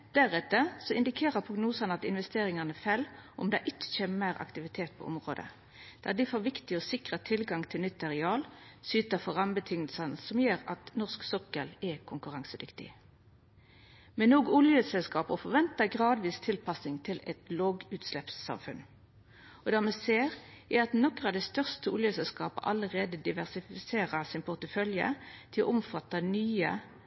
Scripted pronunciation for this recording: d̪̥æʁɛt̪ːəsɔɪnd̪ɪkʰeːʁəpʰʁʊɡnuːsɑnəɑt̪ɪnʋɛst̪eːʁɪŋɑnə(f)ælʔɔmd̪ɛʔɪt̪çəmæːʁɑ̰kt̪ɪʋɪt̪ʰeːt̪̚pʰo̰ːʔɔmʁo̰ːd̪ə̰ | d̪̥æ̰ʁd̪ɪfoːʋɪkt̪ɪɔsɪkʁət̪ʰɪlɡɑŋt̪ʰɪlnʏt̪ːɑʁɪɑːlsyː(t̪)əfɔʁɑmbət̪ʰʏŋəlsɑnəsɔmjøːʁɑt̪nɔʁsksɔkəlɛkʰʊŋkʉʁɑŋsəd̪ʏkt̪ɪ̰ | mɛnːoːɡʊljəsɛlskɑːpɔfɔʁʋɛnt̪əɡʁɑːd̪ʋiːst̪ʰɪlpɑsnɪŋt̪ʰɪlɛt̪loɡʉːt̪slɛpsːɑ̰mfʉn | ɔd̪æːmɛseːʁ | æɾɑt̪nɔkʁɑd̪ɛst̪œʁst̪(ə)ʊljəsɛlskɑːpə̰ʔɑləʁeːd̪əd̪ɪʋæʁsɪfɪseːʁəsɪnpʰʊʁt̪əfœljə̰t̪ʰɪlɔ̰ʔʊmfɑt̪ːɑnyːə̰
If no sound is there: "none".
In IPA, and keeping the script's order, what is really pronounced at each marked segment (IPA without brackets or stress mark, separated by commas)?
f, t̪, ə